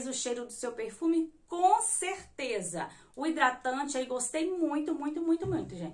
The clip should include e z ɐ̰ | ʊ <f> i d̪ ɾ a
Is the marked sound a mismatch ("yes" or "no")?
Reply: yes